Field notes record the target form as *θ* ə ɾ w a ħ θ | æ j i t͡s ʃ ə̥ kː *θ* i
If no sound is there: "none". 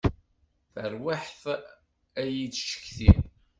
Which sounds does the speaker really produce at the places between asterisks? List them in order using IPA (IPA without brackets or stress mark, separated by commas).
θ, θ